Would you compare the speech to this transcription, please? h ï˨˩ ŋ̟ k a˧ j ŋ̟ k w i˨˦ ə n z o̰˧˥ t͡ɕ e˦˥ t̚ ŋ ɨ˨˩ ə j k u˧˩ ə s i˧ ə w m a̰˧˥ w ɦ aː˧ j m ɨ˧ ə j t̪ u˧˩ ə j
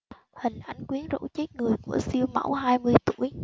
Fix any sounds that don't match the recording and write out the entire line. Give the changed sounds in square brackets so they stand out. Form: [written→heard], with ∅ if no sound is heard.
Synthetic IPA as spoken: h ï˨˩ ŋ̟ [k→ʔ] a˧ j ŋ̟ k w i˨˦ ə n z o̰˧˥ t͡ɕ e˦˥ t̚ ŋ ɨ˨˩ ə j k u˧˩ ə s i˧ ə w m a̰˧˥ w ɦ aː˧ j m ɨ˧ ə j t̪ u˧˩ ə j